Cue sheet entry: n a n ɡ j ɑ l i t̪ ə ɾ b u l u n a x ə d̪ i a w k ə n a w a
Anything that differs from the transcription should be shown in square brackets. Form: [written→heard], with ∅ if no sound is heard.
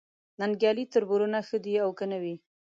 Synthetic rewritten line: n a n ɡ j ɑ l i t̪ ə ɾ b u [l→ɾ] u n a x ə d̪ i a w k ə n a w [a→i]